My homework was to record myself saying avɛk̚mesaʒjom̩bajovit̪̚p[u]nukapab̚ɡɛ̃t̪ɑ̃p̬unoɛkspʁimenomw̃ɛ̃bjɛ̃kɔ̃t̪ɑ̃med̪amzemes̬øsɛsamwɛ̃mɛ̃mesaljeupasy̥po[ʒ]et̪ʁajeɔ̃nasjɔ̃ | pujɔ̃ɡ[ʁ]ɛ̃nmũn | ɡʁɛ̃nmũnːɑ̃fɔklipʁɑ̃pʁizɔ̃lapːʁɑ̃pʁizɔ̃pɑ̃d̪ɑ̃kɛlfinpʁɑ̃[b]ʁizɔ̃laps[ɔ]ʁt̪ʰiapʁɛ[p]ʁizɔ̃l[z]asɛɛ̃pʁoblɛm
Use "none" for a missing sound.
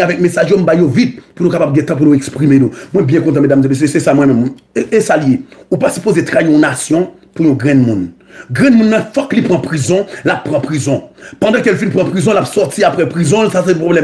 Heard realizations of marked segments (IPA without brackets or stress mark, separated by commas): u, z, ʁ, p, ɔ, p, s